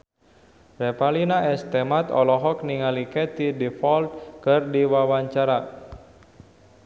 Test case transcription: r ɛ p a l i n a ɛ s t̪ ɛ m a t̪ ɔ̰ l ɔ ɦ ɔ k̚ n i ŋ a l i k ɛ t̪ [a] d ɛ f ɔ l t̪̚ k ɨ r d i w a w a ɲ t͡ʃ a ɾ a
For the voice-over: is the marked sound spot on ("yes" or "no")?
no